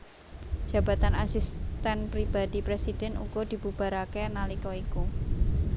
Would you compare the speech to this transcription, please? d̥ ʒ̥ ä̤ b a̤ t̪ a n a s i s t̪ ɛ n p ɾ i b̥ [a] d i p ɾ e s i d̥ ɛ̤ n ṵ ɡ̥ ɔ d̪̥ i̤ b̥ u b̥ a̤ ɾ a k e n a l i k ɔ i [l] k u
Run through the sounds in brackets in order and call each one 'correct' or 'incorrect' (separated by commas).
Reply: correct, incorrect